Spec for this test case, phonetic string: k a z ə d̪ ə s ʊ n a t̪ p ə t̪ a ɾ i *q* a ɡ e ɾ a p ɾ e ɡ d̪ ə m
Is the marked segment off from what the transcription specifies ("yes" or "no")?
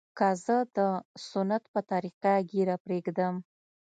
no